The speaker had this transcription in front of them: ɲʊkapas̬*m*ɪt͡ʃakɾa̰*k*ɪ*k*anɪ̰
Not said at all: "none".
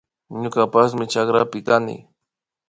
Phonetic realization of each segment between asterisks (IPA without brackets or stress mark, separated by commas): m, p, k